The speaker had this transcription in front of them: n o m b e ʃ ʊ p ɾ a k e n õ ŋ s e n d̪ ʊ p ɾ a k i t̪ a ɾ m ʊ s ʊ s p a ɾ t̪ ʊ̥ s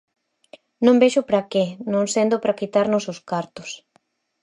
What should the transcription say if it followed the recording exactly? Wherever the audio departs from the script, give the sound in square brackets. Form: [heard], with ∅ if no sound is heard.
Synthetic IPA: n [õ] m b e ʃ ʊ p ɾ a k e n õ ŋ s e n d̪ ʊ p ɾ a k i t̪ a ɾ [n] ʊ s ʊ s [k] a ɾ t̪ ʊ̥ s